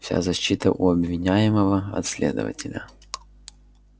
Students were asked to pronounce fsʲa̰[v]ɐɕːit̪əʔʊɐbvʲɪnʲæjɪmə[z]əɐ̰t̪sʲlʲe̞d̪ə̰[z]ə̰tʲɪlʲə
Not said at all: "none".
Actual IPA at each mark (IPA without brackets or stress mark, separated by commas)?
z, v, v